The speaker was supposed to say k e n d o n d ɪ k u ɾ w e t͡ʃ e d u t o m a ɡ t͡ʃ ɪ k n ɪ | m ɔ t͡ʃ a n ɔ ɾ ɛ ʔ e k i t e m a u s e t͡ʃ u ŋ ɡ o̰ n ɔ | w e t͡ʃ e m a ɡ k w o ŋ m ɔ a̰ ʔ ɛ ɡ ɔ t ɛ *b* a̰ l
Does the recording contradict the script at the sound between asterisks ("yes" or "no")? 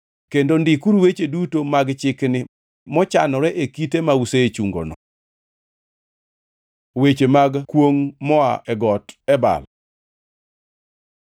no